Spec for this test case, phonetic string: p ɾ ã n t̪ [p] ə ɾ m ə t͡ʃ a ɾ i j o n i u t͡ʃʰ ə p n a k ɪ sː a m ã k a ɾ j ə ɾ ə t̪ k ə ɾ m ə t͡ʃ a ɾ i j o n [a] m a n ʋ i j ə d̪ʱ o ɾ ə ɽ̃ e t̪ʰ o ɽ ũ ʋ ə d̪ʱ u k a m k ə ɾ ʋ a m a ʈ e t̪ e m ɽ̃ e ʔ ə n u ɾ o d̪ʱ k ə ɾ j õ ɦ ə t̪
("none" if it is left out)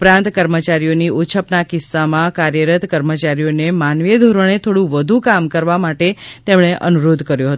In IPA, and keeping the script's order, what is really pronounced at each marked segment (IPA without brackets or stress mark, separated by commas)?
k, e